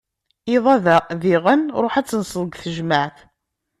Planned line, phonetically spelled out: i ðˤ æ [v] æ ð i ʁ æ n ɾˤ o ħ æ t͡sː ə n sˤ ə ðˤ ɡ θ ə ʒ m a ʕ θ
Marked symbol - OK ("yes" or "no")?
no